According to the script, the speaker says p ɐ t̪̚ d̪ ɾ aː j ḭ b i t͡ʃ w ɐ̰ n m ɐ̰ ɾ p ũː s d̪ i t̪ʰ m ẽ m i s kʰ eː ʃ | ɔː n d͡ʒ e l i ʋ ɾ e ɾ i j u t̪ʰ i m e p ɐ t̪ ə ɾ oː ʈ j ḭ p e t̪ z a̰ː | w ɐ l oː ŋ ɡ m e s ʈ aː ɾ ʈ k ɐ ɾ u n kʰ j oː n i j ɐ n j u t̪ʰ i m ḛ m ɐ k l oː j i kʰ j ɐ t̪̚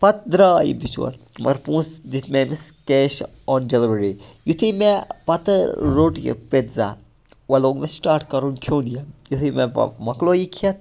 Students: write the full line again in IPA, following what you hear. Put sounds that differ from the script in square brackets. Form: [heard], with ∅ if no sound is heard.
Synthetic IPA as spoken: p ɐ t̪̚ d̪ ɾ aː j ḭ b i t͡ʃ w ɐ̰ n m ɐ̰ ɾ p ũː s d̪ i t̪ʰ m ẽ m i s [k] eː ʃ | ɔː n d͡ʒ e l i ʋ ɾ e ɾ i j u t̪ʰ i m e p ɐ t̪ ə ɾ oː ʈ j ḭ p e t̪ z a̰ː | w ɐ l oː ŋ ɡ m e s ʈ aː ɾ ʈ k ɐ ɾ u n kʰ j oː n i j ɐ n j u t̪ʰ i m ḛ m ɐ k l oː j i kʰ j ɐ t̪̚